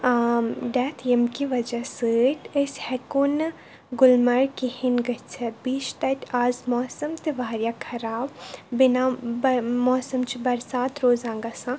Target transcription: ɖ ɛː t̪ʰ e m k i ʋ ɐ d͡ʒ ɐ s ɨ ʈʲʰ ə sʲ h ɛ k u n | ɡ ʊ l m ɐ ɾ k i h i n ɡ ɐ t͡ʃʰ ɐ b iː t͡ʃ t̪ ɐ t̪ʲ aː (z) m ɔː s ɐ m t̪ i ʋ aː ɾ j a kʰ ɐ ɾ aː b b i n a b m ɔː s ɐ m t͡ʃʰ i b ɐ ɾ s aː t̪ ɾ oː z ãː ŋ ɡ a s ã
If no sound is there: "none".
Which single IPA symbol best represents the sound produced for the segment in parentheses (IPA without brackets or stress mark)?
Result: z